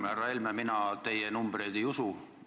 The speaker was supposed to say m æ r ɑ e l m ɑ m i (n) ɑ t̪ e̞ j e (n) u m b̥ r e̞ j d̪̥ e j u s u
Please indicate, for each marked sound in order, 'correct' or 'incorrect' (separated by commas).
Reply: correct, correct